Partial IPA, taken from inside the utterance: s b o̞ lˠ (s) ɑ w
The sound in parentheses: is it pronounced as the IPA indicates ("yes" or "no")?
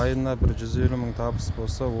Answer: yes